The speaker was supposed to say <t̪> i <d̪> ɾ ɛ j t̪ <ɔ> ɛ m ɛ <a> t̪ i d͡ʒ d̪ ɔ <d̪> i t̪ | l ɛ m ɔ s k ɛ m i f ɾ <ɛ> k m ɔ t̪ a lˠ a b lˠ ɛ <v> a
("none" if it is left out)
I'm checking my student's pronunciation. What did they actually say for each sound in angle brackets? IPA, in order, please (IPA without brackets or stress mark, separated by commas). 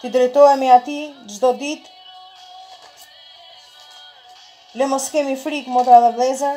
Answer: t̪, d̪, ɔ, a, d̪, i, z